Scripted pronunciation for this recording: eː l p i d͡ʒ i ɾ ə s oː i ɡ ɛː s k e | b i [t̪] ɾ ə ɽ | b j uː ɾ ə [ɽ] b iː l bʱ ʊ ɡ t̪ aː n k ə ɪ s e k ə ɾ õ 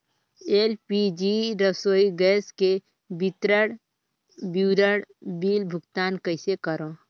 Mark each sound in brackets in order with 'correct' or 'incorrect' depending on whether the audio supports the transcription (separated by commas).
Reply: correct, correct